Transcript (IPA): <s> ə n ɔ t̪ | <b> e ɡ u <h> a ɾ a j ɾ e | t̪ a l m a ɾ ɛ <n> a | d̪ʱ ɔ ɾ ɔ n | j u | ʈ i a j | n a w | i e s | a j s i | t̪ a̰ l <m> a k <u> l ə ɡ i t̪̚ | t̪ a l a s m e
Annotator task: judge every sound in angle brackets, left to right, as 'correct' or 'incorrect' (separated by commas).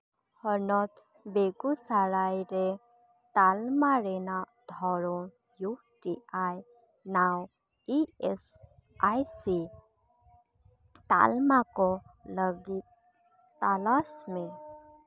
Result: incorrect, correct, incorrect, correct, correct, incorrect